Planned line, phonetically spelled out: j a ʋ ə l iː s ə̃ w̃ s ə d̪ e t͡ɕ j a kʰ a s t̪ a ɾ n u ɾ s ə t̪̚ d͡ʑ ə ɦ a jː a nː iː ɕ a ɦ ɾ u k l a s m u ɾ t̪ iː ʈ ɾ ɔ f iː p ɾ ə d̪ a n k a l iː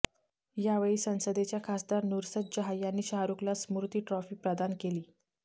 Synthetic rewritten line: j a ʋ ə ɭ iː s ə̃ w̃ s ə d̪ e t͡ɕ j a kʰ a s d̪ a ɾ n u ɾ s ə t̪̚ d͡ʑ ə ɦ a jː a nː iː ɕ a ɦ ɾ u k l a s m u ɾ t̪ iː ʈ ɾ ɔ f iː p ɾ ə d̪ a n k e l iː